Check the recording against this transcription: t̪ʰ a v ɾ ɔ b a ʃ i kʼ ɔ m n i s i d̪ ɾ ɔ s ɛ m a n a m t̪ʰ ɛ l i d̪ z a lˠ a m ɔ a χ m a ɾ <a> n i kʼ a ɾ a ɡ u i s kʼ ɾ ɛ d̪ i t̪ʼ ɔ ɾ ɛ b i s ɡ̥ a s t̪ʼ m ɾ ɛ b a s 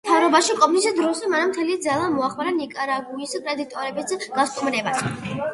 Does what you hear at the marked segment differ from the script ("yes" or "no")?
no